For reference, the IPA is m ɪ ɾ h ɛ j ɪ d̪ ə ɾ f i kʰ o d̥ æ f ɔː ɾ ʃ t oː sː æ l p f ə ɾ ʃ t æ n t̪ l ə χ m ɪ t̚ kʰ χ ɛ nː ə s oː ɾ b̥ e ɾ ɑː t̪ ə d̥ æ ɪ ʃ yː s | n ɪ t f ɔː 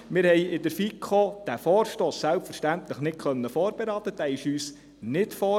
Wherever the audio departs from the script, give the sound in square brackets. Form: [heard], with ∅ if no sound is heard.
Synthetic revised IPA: m ɪ ɾ h ɛ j ɪ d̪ ə ɾ f i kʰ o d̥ æ f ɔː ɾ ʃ t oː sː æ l p f ə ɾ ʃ t æ n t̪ l ə χ [n] ɪ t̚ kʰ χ [œ] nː ə [f] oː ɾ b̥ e ɾ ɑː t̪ ə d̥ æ ɪ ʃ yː s | n ɪ t f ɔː

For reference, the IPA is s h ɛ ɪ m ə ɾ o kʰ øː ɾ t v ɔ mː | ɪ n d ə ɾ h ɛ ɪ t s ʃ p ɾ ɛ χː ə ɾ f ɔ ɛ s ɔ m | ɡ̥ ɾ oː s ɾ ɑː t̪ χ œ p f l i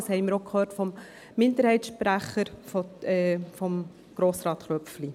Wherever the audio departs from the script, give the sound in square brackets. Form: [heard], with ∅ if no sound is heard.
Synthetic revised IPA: s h ɛ ɪ m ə ɾ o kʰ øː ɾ t [f] ɔ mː | ɪ n d ə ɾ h ɛ ɪ t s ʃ p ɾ [æ] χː ə ɾ f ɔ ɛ [f] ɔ m | ɡ̥ ɾ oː s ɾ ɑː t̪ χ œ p f l i

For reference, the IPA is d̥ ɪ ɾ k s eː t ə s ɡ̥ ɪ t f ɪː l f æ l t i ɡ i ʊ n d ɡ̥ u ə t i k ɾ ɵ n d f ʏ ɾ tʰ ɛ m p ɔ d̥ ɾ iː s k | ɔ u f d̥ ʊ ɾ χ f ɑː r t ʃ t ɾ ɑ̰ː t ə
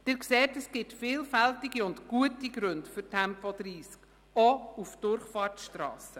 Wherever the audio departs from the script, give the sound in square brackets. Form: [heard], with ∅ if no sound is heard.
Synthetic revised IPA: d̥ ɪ ɾ k s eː t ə s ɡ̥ ɪ t f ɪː l f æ l t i ɡ i ʊ n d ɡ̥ u ə t i [ɡ] ɾ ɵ n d f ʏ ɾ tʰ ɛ m p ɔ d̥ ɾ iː s k | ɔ u f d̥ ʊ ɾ χ f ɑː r t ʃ t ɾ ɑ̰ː [s] ə

